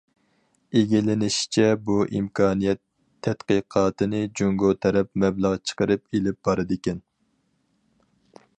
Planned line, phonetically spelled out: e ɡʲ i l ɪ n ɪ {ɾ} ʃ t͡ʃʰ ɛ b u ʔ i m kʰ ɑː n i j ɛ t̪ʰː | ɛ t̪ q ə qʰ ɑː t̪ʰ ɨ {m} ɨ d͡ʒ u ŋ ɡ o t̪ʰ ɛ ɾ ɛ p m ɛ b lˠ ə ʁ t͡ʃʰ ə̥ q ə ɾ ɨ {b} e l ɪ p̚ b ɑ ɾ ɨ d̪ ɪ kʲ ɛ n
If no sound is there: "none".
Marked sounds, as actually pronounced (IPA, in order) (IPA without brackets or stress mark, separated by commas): none, n, p